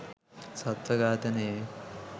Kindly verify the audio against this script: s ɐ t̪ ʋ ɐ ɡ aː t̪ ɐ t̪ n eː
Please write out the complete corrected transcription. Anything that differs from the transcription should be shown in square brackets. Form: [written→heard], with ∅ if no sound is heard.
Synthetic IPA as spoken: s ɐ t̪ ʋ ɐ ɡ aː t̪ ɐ [t̪→∅] n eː